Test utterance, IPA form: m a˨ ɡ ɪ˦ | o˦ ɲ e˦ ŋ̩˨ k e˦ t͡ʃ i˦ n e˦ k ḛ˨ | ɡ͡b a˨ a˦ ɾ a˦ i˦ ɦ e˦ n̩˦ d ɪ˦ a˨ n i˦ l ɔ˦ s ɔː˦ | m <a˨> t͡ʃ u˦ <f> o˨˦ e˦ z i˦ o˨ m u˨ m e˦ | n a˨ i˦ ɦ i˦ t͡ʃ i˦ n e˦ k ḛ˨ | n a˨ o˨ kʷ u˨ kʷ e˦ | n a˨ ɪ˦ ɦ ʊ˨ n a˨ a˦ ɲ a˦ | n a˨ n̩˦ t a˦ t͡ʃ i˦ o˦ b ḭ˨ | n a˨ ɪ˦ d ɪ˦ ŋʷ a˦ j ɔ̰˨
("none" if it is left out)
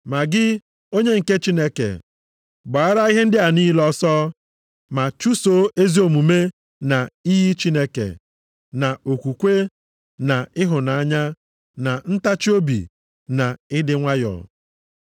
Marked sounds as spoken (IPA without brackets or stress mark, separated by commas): a˨, s